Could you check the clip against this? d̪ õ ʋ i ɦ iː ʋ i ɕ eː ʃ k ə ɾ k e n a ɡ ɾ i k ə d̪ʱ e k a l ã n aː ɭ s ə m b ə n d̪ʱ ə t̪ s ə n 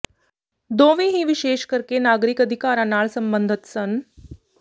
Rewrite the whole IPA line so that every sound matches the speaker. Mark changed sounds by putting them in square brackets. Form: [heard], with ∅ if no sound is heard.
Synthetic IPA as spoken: d̪ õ ʋ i ɦ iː ʋ i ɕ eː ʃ k ə ɾ k e n a ɡ ɾ i k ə d̪ʱ [i] k a [ɾ] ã n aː ɭ s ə m b ə n d̪ʱ ə t̪ s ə n